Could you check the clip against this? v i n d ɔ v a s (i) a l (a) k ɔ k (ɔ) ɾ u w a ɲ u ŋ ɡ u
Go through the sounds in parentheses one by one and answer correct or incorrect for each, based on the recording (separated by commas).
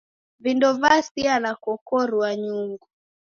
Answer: correct, correct, correct